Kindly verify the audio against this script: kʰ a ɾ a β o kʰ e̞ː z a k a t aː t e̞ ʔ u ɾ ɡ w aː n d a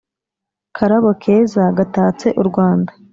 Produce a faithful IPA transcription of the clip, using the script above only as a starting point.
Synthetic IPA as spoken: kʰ a ɾ a β o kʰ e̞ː z a ɡ a t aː t͡s e̞ ʔ u ɾ ɡ w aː n d a